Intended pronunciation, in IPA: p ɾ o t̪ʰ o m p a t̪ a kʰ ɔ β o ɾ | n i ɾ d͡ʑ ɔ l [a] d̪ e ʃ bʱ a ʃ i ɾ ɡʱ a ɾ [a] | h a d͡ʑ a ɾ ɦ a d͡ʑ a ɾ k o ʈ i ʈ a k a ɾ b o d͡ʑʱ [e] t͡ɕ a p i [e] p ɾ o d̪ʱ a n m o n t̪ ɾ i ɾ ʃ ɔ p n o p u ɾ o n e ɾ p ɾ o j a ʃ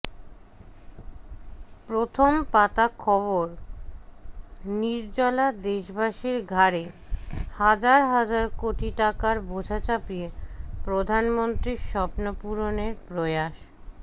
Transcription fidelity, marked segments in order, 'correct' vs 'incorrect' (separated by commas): correct, incorrect, incorrect, correct